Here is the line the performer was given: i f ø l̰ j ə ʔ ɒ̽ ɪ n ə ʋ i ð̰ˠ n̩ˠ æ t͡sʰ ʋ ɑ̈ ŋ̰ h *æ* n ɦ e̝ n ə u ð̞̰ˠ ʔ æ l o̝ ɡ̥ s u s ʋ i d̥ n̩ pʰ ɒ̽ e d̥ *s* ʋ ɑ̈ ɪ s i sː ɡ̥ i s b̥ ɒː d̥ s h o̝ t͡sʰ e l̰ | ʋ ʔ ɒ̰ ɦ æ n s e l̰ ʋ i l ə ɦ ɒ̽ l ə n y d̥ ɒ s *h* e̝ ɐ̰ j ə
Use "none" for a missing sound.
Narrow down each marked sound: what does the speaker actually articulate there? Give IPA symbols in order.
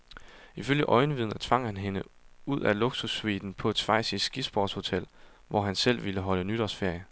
æ, s, f

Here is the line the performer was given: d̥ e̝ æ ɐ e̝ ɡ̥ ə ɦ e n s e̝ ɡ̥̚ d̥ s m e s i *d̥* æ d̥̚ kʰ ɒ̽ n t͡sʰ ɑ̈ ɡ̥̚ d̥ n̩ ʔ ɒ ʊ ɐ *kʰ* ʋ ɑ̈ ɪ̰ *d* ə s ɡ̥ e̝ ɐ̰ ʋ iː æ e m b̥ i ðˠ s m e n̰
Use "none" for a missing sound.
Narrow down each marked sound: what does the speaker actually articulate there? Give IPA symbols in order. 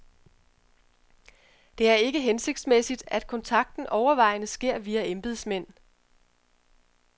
d̥, none, n

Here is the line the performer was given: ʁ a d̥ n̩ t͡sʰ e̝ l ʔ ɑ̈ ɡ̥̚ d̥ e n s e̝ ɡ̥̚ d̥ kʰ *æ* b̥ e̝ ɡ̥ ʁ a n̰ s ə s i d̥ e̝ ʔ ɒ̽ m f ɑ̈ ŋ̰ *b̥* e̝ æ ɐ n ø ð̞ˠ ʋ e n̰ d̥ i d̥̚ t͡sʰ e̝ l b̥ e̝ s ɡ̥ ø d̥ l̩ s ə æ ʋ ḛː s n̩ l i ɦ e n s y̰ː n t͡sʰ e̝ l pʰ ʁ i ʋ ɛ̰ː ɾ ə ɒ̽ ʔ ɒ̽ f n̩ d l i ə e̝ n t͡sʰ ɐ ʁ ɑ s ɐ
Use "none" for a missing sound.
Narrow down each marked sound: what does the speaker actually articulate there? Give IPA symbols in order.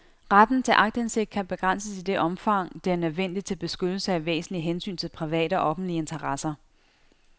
æ, d̥

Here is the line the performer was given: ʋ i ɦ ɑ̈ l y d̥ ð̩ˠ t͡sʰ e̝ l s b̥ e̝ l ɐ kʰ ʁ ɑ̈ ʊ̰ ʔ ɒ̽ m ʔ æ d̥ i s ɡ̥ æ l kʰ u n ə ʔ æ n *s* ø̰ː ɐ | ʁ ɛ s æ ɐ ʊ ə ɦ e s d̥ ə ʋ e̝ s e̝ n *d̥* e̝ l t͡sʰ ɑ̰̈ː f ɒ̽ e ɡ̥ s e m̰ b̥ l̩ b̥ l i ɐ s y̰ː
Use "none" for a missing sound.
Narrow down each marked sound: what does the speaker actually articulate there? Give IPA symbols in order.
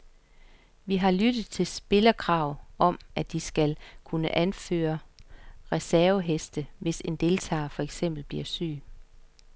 f, d̥

